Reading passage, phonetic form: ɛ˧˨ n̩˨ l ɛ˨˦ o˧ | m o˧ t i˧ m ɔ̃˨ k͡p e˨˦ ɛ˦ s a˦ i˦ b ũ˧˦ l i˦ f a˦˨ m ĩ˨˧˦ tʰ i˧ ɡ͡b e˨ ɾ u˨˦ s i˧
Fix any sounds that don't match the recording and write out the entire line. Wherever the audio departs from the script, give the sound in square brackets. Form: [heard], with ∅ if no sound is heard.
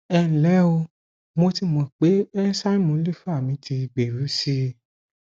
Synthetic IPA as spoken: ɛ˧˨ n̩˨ l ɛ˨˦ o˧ | m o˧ t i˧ m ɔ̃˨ k͡p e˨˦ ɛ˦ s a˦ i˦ [m] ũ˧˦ l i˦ f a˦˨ m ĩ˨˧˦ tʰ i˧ ɡ͡b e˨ ɾ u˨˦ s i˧